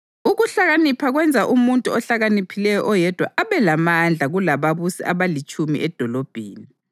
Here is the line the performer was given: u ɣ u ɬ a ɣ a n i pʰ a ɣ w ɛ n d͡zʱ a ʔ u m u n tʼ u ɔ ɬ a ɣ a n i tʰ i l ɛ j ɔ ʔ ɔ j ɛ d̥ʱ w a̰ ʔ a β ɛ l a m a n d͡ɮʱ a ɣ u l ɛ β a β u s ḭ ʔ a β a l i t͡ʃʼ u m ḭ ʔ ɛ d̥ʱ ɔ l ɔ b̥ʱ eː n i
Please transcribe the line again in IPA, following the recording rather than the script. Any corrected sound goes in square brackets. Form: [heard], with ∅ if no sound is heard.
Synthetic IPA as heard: u ɣ u ɬ a ɣ a n i pʰ a ɣ w ɛ n d͡zʱ a ʔ u m u n tʼ u ɔ ɬ a ɣ a n i [pʰ] i l ɛ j ɔ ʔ ɔ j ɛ d̥ʱ w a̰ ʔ a β ɛ l a m a n d͡ɮʱ a ɣ u l [a] β a β u s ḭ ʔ a β a l i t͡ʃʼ u m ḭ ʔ ɛ d̥ʱ ɔ l ɔ b̥ʱ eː n i